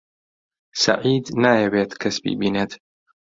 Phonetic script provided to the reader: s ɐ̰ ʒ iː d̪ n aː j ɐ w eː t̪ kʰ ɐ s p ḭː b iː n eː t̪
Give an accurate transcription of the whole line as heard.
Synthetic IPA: s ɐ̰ ʕ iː d̪ n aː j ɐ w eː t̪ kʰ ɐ s b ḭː b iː n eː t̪